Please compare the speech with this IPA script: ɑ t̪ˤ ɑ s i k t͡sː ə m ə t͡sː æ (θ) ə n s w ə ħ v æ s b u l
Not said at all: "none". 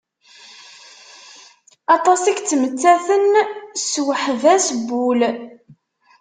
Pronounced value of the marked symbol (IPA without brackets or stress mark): θ